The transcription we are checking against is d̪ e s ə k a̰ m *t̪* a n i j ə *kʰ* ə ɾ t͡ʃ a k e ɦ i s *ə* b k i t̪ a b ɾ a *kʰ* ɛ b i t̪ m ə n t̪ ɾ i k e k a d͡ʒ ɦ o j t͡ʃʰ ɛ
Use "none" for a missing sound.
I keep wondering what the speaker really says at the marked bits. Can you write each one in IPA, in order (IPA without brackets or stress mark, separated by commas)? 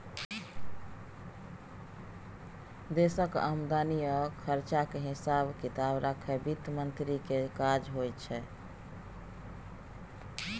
d̪, kʰ, a, kʰ